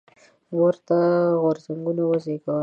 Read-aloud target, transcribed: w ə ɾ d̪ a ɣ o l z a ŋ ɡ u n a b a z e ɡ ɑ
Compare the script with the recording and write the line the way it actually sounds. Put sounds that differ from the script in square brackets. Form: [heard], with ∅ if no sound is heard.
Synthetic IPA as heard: w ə ɾ [t̪] a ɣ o [ɾ] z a ŋ ɡ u n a [w] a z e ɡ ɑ